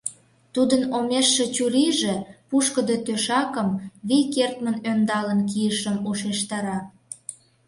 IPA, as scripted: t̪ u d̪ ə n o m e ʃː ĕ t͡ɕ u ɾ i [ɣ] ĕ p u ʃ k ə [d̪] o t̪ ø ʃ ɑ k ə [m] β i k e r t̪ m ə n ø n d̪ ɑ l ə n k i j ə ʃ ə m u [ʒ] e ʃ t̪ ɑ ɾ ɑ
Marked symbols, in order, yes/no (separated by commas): no, yes, yes, no